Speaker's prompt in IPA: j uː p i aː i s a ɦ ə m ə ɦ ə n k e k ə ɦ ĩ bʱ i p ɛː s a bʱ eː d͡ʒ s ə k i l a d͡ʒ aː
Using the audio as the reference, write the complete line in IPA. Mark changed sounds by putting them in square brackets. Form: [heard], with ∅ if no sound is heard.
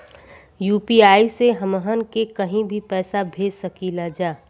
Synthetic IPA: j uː p i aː i s [e] ɦ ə m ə ɦ ə n k e k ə ɦ ĩ bʱ i p ɛː s a bʱ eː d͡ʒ s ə k i l a d͡ʒ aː